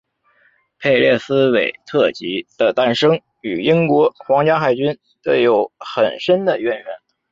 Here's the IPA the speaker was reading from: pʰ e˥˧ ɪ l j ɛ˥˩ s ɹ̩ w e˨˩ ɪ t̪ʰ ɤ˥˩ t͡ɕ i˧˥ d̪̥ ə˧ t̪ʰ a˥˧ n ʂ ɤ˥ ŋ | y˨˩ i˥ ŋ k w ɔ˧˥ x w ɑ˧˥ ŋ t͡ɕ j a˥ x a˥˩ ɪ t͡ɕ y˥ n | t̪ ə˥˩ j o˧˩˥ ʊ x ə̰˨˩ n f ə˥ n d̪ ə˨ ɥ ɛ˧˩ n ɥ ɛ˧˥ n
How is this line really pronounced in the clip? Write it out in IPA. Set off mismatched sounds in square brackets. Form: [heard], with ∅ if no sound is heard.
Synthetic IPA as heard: pʰ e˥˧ ɪ l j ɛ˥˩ s ɹ̩ w e˨˩ ɪ t̪ʰ ɤ˥˩ t͡ɕ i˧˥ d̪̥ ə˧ [t̪] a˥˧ n ʂ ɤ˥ ŋ | y˨˩ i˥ ŋ k w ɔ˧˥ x w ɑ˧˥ ŋ t͡ɕ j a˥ x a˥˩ ɪ t͡ɕ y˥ n | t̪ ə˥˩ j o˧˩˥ ʊ x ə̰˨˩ n [ʂ] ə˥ n d̪ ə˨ ɥ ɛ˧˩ n ɥ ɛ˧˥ n